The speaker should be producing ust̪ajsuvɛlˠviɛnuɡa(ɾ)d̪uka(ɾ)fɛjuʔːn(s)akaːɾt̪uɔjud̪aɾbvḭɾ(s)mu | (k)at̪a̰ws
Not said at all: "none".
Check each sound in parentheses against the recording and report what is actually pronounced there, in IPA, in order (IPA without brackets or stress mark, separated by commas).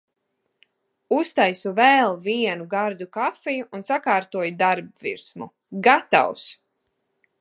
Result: ɾ, none, s, s, ɡ